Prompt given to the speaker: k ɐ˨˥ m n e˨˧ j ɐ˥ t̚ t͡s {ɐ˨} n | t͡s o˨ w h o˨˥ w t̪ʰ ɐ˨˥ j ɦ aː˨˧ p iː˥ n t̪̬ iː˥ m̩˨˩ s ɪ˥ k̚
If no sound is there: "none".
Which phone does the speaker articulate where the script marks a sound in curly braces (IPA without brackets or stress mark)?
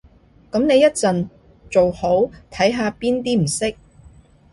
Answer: ɐ˨